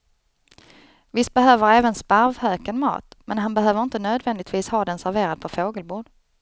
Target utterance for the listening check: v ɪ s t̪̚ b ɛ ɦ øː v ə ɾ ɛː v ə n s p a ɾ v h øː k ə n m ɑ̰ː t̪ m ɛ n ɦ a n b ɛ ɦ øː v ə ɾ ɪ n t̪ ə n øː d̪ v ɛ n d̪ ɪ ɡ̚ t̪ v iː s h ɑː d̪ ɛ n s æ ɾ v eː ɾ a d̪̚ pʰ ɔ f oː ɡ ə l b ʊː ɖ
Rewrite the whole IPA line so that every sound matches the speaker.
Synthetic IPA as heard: v ɪ s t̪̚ b ɛ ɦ øː v ə ɾ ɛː v ə n s p a ɾ v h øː k ə n m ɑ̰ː t̪ m ɛ n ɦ a n b ɛ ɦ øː v ə ɾ ɪ n t̪ ə n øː d̪ v ɛ n d̪ ɪ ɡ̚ t̪ v iː s h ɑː d̪ ɛ n s æ ɾ v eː ɾ a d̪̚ pʰ ɔ f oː ɡ ə l b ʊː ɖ